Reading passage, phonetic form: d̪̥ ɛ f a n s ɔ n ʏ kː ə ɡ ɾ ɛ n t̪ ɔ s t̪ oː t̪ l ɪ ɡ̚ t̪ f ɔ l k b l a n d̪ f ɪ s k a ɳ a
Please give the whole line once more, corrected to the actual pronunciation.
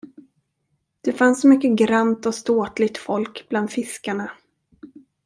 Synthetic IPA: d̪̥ ɛ f a n s ɔ m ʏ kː ə ɡ ɾ a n t̪ ɔ s t̪ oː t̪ l ɪ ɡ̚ t̪ f ɔ l k b l a n d̪ f ɪ s k a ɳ a

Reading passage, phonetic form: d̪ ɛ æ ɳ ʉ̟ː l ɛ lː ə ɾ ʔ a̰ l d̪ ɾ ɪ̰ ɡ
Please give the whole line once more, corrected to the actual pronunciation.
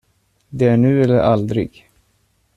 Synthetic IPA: d̪ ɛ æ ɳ ʉ̟ː ɛ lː ə ɾ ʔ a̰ l d̪ ɾ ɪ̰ ɡ

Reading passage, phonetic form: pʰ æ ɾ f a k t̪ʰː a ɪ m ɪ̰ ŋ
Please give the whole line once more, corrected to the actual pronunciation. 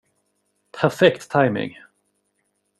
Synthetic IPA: pʰ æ ɾ f ɛ k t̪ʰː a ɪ m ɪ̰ ŋ

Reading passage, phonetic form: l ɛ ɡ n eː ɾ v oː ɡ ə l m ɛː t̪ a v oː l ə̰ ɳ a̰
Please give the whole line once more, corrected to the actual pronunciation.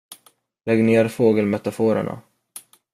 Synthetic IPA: l ɛ ɡ n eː ɾ f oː ɡ ə l m ɛ t̪ a f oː ɾ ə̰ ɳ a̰

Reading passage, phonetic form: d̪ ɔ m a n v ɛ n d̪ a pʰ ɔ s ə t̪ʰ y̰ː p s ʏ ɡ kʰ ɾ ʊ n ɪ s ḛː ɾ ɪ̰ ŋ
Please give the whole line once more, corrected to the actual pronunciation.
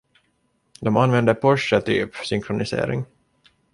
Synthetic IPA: d̪ ɔ m a n v ɛ n d̪ ə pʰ ɔ ʂ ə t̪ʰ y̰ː p s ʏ ŋ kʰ ɾ ʊ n ɪ s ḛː ɾ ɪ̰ ŋ

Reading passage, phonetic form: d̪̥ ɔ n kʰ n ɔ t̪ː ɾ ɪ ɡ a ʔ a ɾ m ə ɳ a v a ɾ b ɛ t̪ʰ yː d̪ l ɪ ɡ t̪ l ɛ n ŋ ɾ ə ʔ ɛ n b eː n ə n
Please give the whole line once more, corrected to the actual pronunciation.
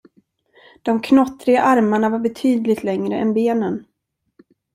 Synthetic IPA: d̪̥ ɔ m kʰ n ɔ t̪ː ɾ ɪ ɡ a ʔ a ɾ m a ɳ a v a ɾ b ɛ t̪ʰ yː d̪ l ɪ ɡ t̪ l ɛ ŋ ɾ ə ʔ ɛ n b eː n ə n

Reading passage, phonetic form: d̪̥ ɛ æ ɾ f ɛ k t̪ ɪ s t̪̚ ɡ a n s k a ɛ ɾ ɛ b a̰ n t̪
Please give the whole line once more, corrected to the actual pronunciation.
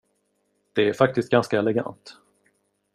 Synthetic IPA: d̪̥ ɛ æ ɾ f a k t̪ ɪ s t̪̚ ɡ a n s k a ɛ l ɛ ɡ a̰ n t̪

